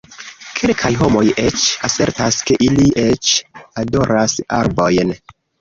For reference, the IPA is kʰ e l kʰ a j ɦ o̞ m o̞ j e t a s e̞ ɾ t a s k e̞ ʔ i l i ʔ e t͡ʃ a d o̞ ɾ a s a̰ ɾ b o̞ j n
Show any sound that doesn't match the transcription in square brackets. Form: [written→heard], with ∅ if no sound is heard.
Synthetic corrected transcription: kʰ e l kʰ a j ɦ o̞ m o̞ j e [t→t͡ʃ] a s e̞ ɾ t a s k e̞ ʔ i l i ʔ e t͡ʃ a d o̞ ɾ a s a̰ ɾ b o̞ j n